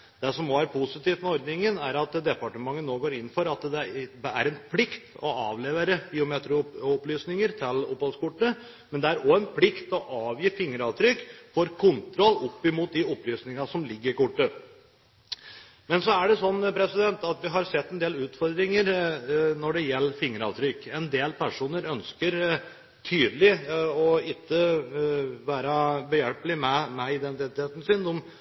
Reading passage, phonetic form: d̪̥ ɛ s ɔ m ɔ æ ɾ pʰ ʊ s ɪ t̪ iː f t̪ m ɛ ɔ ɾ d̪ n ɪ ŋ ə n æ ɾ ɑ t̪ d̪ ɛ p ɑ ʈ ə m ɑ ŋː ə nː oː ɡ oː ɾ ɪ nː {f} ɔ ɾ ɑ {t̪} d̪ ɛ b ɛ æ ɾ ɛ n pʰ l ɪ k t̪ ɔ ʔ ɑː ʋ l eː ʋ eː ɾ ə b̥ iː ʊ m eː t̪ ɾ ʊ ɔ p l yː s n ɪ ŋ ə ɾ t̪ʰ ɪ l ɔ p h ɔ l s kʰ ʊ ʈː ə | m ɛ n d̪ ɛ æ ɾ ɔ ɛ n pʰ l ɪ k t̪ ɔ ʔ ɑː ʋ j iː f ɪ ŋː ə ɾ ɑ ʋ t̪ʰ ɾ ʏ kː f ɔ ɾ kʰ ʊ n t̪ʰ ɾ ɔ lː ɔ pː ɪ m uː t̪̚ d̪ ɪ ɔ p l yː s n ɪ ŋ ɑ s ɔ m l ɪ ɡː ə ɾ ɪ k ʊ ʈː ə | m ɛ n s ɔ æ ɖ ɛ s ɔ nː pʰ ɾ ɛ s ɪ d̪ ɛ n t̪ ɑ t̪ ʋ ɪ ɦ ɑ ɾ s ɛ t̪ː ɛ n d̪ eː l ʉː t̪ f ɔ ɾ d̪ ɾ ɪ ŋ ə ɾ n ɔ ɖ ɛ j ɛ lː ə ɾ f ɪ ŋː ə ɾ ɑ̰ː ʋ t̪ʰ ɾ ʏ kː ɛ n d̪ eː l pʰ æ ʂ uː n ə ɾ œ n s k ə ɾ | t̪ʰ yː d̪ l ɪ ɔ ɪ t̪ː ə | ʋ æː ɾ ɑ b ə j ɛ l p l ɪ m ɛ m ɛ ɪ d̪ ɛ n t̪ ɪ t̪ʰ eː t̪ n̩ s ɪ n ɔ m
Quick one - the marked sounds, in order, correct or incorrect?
correct, correct

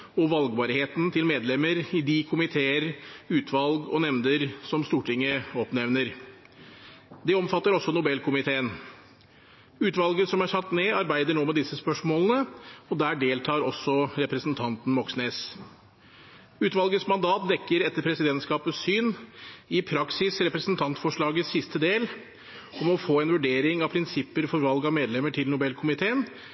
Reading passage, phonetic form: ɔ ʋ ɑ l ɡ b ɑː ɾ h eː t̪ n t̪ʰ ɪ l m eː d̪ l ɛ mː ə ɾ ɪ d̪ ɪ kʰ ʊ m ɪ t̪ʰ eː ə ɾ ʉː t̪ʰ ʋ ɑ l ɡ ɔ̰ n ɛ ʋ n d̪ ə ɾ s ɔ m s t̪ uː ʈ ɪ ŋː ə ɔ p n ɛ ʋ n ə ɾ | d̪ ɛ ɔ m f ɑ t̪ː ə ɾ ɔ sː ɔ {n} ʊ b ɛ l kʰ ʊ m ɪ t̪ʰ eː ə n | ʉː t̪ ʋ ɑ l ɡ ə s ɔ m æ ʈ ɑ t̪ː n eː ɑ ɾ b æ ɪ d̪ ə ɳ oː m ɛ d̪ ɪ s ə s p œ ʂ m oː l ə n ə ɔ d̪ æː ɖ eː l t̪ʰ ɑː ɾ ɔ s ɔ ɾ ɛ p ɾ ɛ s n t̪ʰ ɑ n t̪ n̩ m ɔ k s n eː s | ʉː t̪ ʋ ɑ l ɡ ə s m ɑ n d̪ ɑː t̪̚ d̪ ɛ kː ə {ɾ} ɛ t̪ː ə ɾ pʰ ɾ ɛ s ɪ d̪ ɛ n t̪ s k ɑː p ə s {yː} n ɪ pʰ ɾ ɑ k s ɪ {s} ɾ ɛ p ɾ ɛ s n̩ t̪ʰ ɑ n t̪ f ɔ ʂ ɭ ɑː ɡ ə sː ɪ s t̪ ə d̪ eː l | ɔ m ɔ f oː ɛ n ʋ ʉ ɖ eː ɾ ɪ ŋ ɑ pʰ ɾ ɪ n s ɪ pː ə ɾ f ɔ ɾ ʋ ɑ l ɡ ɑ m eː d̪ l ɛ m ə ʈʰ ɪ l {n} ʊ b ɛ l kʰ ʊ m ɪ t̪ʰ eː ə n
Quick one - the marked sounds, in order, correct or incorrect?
correct, correct, correct, correct, correct

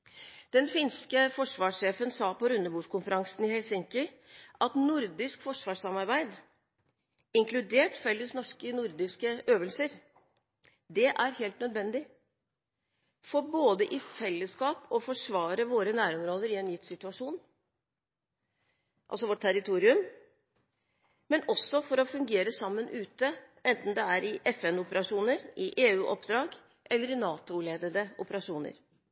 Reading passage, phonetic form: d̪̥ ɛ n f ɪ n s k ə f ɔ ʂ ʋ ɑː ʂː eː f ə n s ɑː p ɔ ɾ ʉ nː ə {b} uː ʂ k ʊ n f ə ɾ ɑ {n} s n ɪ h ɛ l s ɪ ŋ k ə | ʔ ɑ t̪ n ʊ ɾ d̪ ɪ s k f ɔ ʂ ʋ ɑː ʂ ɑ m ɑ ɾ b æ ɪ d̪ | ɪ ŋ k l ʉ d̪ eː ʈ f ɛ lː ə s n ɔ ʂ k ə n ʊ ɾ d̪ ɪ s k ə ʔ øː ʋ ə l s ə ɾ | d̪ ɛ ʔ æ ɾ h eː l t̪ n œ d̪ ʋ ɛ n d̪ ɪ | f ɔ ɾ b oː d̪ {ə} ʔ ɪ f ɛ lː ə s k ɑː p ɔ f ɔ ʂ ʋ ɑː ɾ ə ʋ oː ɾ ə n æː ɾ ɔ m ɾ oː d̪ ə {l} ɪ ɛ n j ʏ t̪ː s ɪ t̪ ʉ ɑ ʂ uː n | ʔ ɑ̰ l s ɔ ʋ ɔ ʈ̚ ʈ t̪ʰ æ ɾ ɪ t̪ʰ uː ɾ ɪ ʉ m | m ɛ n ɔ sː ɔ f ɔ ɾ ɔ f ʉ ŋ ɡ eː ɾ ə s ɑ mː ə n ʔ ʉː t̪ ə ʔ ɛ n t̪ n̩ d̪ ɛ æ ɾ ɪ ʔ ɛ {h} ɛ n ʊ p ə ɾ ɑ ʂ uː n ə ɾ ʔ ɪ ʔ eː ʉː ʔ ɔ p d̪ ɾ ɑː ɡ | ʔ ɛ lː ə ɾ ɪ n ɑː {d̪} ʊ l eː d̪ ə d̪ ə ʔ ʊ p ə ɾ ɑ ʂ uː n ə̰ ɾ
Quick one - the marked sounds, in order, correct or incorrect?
correct, incorrect, correct, incorrect, incorrect, incorrect

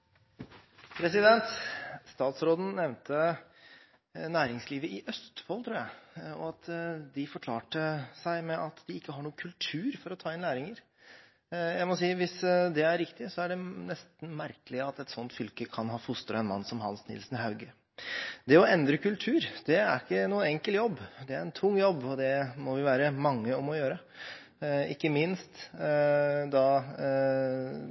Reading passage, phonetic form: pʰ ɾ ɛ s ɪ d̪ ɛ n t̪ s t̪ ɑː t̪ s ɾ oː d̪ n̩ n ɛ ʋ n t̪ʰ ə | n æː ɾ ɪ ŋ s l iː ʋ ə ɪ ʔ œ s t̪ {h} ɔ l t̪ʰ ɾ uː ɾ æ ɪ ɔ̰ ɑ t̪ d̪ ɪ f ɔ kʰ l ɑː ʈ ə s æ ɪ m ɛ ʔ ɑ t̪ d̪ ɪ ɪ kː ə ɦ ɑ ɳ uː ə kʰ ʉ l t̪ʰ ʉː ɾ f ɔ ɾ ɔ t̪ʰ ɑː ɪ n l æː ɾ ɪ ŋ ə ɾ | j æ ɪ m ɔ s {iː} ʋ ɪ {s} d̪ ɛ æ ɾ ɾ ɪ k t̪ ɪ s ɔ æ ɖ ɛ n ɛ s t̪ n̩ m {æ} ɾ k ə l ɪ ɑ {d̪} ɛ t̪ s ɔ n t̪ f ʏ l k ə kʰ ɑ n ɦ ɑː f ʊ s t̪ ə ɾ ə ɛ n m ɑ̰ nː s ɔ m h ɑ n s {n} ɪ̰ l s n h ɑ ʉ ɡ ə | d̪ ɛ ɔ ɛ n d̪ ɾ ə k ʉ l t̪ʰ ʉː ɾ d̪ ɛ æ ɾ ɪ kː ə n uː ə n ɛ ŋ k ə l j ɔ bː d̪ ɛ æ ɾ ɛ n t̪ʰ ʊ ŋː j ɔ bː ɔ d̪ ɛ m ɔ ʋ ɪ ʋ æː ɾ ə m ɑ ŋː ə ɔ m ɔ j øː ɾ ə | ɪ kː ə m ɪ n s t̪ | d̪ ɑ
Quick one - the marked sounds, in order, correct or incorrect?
incorrect, correct, correct, correct, incorrect, correct

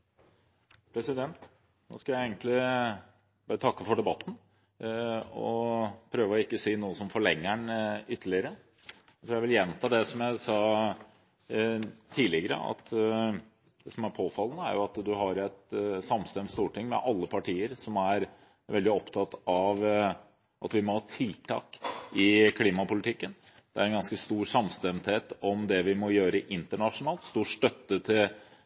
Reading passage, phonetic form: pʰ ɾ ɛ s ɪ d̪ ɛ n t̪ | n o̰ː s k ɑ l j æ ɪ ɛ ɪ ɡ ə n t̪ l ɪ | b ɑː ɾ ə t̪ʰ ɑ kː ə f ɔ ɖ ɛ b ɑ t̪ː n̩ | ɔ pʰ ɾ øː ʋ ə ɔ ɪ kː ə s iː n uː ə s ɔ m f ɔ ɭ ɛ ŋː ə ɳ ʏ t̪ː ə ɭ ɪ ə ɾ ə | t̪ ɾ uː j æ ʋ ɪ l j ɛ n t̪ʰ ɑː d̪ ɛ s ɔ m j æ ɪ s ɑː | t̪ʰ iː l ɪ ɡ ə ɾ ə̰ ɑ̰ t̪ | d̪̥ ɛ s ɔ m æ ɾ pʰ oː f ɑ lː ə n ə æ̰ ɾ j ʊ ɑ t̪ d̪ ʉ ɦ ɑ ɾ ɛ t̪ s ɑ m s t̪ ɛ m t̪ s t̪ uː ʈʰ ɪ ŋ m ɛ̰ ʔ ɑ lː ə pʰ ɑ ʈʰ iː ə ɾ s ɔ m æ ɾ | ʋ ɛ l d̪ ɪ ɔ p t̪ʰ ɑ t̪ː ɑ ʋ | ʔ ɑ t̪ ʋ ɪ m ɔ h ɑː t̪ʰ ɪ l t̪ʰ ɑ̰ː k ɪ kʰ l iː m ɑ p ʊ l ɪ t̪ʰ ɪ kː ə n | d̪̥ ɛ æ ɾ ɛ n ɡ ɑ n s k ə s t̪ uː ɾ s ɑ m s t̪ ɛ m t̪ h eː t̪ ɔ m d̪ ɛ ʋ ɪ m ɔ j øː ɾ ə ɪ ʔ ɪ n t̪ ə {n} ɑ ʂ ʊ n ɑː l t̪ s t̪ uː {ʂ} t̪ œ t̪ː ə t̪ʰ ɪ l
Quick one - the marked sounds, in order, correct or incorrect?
incorrect, correct

